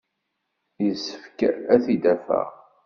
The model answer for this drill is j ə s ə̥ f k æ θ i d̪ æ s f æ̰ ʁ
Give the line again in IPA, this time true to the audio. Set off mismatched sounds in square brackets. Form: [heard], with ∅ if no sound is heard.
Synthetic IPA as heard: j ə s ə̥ f k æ θ i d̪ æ [∅] f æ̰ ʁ